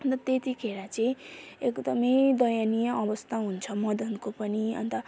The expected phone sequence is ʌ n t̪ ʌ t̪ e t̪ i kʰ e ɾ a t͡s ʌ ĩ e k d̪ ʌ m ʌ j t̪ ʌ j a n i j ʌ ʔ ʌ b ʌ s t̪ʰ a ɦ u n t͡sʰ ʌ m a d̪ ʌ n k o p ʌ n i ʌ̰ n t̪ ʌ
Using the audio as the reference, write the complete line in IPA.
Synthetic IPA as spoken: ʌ n t̪ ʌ t̪ e t̪ i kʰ e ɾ a t͡s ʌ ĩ e k d̪ ʌ m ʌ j d̪ ʌ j a n i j ʌ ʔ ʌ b ʌ s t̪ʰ a ɦ u n t͡sʰ ʌ m ʌ d̪ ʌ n k o p ʌ n i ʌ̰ n t̪ ʌ